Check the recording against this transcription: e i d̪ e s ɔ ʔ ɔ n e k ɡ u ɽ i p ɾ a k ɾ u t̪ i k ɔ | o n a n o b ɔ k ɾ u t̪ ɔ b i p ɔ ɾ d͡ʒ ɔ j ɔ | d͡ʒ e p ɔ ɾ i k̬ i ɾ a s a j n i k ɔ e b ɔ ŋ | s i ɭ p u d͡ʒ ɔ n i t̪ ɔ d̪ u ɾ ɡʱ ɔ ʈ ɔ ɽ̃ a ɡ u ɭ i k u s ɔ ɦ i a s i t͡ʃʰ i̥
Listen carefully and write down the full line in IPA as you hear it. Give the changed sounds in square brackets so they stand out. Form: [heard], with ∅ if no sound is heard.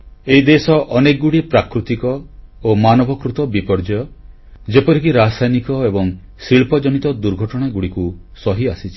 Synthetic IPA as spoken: e i d̪ e s ɔ ʔ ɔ n e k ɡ u ɽ i p ɾ a k ɾ u t̪ i k ɔ | o [m] a n [ɔ] b ɔ k ɾ u t̪ ɔ b i p ɔ ɾ d͡ʒ ɔ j ɔ | d͡ʒ e p ɔ ɾ i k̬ i ɾ a s a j n i k ɔ e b ɔ ŋ | s i ɭ p [ɔ] d͡ʒ ɔ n i t̪ ɔ d̪ u ɾ ɡʱ ɔ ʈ ɔ ɽ̃ a ɡ u [ɽ] i k u s ɔ ɦ i a s i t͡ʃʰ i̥